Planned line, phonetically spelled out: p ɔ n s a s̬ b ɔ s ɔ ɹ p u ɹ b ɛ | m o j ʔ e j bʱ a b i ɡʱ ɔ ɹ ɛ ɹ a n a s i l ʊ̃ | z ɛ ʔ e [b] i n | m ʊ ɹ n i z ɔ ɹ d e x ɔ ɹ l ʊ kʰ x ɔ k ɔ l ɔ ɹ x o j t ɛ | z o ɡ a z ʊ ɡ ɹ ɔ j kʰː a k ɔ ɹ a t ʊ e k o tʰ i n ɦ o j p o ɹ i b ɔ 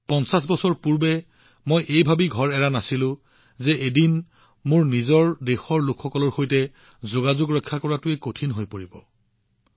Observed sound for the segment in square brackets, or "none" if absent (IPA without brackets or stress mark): d